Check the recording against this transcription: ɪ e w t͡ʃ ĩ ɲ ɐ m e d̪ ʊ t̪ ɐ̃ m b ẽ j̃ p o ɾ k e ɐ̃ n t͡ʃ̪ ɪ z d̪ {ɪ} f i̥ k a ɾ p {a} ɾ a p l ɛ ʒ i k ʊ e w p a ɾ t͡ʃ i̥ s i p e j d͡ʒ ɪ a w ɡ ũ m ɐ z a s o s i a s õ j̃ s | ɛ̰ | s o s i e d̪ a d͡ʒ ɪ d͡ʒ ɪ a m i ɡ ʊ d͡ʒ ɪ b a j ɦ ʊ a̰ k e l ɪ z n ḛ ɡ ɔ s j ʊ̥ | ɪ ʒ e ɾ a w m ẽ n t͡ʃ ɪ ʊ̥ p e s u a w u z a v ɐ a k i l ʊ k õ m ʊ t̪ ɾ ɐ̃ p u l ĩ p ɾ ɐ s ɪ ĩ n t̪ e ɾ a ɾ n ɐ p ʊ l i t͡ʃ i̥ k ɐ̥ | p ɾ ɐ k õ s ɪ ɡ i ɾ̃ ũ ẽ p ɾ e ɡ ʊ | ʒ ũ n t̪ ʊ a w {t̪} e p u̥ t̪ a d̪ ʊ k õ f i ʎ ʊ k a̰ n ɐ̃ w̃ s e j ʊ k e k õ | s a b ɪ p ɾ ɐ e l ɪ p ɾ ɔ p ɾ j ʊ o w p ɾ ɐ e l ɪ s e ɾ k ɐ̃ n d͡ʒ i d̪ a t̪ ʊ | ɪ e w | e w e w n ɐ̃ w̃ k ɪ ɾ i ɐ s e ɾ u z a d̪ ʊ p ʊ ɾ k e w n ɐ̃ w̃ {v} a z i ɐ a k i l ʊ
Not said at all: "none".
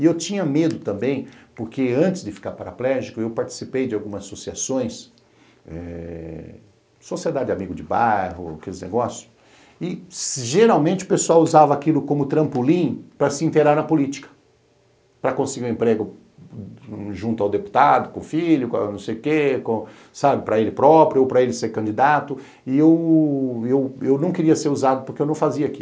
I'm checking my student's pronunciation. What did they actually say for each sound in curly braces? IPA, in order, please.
ɪ, a, d̪, f

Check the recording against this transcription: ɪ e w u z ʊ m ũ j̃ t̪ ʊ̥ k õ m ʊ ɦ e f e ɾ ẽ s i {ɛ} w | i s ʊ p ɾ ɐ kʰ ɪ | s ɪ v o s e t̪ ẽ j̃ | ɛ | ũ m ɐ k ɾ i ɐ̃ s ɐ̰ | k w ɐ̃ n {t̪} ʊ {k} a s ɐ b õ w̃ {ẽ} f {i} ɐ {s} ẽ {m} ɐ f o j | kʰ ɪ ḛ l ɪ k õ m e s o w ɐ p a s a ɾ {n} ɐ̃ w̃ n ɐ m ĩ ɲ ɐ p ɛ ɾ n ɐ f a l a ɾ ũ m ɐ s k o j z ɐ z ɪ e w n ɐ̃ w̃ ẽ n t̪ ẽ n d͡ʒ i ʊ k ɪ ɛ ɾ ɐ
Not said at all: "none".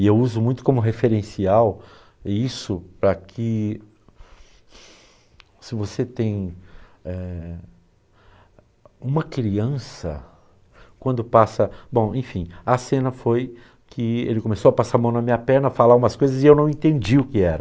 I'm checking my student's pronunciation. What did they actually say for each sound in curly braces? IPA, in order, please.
a, d̪, p, ẽ, ĩ, s, n, m

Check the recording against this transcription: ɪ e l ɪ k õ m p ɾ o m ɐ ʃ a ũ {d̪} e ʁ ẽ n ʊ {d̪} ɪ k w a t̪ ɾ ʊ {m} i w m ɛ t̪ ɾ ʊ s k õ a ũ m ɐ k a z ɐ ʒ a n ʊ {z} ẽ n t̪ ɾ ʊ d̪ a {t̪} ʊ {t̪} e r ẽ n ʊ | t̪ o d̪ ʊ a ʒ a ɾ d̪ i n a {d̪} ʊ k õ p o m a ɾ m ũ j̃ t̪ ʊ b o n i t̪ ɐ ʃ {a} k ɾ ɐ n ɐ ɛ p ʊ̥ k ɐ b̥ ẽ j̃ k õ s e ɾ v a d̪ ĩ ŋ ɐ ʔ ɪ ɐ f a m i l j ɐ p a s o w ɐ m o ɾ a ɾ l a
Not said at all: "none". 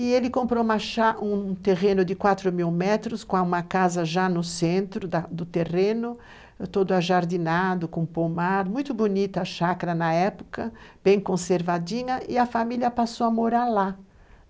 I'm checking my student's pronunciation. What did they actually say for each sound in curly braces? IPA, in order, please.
t̪, d̪, m, s, d̪, t̪, d̪, a

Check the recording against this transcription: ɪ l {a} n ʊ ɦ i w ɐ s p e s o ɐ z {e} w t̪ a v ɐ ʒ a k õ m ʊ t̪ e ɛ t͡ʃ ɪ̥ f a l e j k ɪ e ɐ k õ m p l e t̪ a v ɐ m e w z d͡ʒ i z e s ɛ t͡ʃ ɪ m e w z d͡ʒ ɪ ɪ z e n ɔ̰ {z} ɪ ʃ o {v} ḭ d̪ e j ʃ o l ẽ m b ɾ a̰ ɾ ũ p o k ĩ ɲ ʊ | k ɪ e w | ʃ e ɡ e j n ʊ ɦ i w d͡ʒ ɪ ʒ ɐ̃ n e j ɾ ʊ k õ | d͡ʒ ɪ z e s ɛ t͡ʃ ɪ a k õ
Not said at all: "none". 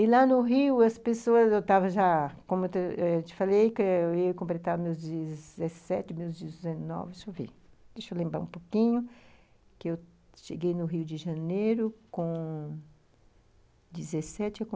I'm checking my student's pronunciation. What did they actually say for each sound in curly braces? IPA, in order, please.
a, e, v, v

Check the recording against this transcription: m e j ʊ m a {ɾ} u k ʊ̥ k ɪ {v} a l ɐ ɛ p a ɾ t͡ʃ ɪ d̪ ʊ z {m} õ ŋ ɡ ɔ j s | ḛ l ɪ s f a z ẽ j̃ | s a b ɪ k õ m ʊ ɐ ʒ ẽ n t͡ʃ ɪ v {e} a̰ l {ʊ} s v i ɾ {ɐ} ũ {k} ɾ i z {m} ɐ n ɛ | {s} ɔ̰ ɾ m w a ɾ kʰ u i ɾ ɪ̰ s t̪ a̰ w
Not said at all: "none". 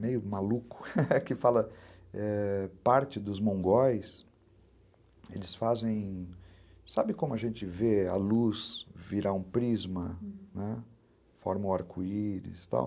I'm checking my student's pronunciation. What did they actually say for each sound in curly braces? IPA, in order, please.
l, f, m, e, u, a, p, m, f

